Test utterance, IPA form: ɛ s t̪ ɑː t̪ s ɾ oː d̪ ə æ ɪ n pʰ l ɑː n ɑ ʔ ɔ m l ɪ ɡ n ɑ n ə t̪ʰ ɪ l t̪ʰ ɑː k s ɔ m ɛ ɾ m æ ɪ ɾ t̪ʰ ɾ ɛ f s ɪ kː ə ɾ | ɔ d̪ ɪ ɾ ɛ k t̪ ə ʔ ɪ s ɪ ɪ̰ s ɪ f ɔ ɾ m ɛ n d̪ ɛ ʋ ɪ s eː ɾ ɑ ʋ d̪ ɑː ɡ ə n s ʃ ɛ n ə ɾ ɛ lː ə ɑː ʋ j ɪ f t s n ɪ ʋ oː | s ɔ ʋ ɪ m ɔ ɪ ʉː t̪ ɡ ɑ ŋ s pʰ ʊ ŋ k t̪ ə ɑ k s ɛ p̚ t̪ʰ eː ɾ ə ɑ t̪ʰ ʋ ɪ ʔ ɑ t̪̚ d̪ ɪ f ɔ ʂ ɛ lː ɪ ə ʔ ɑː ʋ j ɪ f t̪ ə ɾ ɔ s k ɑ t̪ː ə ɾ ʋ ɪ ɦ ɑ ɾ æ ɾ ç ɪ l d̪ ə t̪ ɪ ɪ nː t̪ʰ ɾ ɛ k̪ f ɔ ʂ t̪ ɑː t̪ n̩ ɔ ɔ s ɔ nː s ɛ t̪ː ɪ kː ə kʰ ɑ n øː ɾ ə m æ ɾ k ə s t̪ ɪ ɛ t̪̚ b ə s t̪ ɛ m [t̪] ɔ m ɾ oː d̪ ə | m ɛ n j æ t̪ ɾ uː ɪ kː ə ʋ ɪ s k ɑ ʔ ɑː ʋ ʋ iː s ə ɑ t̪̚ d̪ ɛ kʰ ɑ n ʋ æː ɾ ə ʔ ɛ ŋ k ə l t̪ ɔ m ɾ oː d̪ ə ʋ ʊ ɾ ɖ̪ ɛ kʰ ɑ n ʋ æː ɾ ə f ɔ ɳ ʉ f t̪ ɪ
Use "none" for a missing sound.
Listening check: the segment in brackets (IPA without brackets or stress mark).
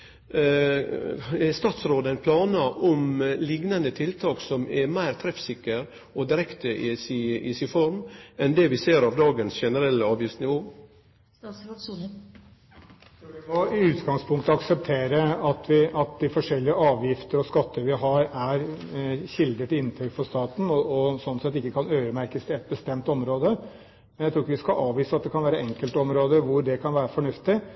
t̪